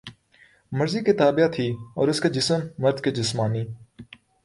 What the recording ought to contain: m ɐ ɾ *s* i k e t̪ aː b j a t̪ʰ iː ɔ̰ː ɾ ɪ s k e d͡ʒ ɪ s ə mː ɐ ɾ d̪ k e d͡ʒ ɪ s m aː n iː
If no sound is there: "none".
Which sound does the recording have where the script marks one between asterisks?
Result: z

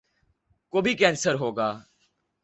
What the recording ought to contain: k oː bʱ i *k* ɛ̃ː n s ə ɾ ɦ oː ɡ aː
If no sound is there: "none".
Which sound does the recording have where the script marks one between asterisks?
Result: k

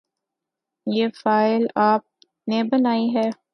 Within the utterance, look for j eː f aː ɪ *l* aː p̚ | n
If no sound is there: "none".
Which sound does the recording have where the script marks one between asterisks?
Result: l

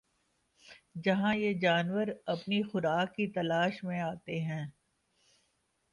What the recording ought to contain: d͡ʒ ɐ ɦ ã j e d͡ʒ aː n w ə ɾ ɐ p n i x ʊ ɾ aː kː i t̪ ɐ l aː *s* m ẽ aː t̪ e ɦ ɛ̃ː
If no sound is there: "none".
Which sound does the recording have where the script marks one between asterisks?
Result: ʃ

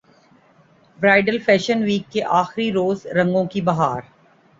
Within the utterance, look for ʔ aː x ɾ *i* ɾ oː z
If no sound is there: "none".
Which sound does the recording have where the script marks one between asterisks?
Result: i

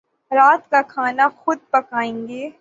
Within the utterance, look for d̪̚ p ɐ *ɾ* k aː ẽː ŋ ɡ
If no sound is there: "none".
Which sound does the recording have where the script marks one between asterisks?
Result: none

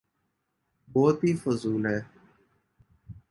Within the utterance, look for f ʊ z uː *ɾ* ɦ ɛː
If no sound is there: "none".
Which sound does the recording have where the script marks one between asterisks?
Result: l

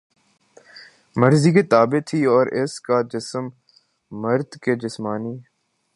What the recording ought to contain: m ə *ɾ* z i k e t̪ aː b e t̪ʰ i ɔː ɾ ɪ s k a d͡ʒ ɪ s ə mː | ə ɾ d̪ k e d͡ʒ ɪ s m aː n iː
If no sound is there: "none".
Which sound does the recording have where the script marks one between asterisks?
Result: ɾ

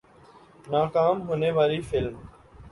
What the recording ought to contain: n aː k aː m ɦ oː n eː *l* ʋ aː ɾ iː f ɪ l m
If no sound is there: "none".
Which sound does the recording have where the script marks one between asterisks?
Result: none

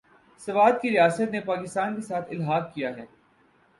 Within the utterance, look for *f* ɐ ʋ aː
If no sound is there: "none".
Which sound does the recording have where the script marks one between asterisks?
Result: s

